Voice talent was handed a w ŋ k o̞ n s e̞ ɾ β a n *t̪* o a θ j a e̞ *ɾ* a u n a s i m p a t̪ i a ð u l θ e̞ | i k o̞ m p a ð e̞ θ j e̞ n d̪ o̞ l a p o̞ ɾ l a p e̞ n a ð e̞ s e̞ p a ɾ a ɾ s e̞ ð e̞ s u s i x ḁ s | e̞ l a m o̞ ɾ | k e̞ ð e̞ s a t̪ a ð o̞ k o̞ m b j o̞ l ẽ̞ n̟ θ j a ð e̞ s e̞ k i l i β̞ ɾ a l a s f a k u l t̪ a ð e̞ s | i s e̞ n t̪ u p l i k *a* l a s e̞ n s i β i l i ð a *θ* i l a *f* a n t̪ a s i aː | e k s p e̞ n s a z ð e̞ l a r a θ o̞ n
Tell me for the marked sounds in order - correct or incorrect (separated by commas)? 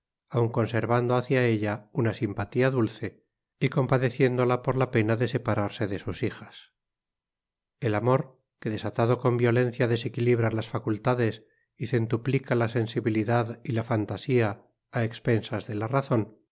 incorrect, incorrect, correct, incorrect, correct